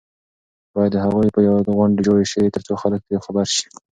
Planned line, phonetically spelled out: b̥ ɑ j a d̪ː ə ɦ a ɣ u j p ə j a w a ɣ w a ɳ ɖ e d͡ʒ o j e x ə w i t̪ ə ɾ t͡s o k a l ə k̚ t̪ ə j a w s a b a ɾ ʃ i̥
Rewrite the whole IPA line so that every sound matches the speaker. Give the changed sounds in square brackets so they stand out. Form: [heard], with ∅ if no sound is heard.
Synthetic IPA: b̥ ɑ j a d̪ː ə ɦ a ɣ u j p ə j a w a ɣ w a ɳ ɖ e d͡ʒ o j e [ʃ] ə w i t̪ ə ɾ t͡s o [x] a l ə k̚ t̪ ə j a w [x] a b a ɾ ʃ i̥